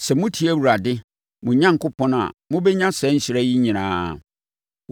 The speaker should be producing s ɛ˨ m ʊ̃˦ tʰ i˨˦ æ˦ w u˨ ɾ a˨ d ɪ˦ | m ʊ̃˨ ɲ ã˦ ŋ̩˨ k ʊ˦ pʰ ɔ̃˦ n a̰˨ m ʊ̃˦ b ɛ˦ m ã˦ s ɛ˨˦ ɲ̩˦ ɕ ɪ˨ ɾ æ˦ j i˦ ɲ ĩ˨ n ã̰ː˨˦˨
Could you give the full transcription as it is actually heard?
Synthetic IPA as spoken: s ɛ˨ m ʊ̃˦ tʰ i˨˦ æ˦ w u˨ ɾ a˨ d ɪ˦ | m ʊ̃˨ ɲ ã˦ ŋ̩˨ k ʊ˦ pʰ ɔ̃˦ n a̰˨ m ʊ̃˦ b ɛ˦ ɲ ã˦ s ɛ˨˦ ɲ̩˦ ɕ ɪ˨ ɾ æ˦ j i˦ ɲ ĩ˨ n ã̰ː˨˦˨